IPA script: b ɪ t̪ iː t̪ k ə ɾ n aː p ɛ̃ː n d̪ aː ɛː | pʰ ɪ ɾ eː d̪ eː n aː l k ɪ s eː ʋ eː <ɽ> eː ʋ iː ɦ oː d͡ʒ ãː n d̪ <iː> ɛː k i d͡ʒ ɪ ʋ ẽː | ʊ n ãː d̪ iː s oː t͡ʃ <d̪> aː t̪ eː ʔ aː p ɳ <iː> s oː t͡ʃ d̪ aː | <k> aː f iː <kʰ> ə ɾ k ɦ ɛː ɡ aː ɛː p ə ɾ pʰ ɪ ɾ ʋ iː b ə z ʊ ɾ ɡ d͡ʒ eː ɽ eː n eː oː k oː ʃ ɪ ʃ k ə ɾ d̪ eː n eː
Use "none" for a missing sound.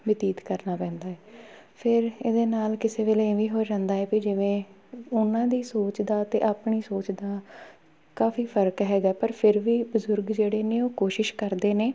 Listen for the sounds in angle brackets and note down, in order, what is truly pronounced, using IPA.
l, aː, d̪, iː, k, pʰ

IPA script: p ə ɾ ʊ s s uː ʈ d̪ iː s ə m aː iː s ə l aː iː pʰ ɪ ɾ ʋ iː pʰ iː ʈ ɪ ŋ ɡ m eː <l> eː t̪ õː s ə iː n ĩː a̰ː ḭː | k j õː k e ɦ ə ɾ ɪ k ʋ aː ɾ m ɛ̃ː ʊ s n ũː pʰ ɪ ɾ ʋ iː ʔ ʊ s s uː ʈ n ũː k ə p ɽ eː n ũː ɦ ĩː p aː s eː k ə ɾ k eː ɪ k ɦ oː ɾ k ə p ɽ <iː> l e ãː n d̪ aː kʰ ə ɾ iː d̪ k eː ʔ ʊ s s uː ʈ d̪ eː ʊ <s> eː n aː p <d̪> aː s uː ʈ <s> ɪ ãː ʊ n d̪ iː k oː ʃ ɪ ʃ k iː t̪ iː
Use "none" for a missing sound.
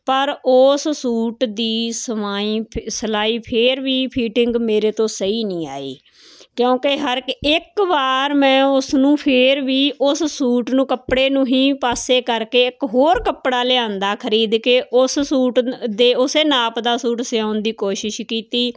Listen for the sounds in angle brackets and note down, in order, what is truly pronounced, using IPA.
ɾ, aː, s, d̪, s

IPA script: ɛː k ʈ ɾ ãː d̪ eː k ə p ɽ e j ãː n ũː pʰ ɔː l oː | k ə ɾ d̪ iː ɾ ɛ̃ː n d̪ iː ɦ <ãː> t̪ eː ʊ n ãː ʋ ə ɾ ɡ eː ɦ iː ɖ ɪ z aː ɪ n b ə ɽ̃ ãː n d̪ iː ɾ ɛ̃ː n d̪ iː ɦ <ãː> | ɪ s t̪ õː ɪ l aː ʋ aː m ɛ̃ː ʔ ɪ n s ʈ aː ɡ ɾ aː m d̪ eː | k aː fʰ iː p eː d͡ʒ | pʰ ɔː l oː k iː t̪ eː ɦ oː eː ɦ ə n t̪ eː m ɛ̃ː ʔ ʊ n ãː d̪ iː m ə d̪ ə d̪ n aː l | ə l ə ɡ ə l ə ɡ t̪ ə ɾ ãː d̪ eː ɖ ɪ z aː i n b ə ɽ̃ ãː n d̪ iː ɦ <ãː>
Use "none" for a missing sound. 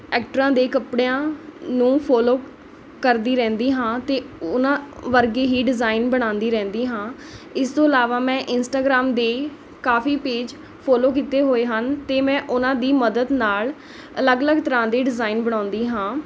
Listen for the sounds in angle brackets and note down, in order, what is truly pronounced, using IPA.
ãː, ãː, ãː

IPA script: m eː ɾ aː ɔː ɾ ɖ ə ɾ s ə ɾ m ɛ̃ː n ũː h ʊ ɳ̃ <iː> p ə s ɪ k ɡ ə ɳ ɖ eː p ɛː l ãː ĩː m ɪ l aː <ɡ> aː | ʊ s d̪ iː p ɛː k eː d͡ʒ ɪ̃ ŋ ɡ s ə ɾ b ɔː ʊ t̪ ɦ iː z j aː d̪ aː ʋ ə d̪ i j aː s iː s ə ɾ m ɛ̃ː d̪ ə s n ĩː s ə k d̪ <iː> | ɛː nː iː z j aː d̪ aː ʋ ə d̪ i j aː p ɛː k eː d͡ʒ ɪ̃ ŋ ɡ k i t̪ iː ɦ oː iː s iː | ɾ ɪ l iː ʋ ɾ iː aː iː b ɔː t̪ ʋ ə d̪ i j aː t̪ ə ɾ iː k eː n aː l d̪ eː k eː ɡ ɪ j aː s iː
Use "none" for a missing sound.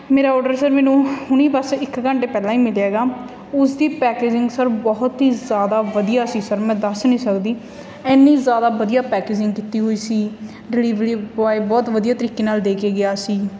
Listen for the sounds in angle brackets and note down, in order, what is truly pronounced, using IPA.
iː, ɡ, iː

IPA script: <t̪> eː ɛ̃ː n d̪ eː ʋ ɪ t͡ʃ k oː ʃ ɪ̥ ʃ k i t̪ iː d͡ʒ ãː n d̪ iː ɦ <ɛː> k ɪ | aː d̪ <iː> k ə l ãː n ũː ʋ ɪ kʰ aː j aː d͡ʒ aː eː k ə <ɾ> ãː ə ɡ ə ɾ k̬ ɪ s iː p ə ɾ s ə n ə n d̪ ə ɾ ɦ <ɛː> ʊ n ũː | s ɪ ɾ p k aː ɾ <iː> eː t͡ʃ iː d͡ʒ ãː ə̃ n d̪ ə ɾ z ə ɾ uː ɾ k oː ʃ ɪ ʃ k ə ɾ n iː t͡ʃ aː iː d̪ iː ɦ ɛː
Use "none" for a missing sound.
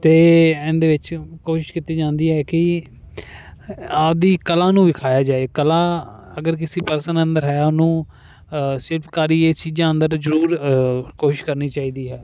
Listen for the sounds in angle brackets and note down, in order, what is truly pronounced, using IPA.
t̪, ɛː, iː, l, ɛː, iː

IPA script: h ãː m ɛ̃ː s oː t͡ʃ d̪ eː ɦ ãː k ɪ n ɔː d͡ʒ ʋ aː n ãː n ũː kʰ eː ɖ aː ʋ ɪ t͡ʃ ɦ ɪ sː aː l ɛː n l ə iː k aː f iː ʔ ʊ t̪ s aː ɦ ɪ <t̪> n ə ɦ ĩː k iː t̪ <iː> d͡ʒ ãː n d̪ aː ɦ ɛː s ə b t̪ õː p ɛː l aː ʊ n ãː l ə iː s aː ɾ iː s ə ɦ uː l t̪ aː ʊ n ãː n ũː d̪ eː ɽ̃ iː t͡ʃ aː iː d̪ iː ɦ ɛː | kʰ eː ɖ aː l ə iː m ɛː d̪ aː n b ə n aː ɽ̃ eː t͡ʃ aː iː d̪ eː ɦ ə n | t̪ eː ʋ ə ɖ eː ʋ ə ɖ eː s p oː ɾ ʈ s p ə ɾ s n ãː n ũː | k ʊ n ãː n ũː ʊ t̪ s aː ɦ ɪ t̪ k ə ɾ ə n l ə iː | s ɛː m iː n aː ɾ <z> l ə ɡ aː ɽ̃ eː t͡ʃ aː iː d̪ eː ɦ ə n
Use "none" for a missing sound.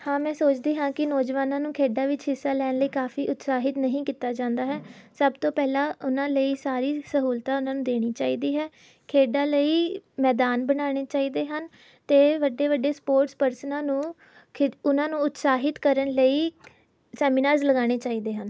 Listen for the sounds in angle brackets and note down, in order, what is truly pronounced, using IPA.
t̪, aː, z

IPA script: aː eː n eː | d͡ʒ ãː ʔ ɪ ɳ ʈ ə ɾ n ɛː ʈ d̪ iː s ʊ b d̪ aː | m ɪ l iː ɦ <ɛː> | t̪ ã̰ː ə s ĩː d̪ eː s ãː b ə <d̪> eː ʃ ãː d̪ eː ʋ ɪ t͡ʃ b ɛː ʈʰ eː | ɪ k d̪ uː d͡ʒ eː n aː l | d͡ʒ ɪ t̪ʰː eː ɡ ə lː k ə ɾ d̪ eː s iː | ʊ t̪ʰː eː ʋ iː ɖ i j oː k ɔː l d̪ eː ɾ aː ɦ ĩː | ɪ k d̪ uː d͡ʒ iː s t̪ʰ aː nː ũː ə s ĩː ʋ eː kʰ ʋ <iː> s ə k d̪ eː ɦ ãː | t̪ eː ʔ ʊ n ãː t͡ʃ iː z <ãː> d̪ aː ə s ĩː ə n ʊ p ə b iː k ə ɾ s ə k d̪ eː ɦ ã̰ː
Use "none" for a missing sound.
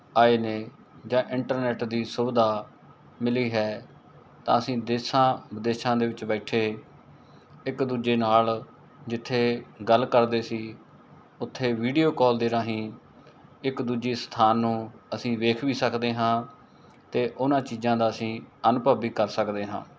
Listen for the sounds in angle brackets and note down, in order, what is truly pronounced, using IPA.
ɛː, d̪, iː, ãː

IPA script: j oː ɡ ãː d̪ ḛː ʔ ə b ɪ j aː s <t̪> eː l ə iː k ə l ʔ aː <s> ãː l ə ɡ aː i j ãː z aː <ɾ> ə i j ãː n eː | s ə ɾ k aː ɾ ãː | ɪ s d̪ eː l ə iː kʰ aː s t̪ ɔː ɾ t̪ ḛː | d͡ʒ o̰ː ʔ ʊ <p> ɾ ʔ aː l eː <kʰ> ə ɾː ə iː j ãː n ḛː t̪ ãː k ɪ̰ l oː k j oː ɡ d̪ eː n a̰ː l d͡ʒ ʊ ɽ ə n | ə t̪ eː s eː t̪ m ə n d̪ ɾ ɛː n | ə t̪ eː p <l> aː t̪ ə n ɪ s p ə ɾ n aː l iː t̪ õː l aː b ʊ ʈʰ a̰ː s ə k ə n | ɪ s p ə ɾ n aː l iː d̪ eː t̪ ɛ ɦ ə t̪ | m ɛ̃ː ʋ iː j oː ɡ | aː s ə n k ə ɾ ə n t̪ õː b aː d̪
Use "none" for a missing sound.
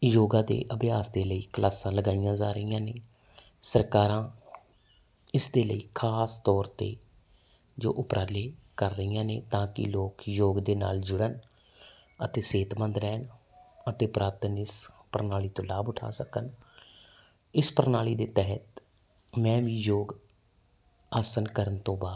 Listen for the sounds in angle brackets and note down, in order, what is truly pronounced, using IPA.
d̪, s, ɾ, p, k, ɾ

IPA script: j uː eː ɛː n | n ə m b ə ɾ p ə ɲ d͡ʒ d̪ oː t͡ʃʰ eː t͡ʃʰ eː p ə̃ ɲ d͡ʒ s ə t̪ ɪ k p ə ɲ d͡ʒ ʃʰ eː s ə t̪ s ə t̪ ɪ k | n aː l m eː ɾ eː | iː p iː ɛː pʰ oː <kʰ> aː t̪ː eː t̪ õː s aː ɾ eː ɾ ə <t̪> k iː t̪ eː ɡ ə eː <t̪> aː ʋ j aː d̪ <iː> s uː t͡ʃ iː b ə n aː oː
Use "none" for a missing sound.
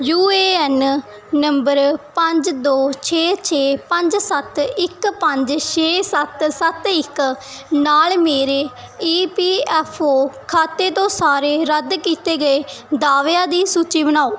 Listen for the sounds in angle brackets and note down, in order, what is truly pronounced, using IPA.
kʰ, d̪, d̪, iː

